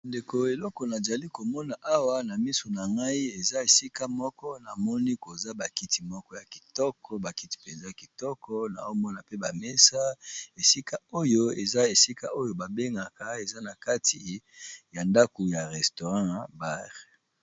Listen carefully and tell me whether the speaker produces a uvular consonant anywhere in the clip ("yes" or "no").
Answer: yes